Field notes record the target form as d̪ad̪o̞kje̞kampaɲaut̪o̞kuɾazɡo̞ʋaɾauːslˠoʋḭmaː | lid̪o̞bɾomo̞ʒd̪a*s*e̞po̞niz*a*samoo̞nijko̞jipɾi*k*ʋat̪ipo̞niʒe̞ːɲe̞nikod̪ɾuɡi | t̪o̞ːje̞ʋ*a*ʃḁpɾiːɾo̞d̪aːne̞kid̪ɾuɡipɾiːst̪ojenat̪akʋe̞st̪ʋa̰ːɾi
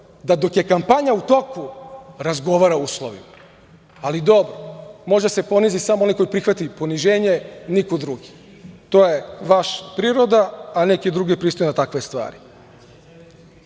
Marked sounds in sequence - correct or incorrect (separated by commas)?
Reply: correct, incorrect, incorrect, correct